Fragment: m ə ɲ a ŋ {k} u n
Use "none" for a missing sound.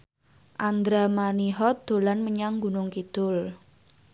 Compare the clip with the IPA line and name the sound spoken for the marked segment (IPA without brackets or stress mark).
ɡ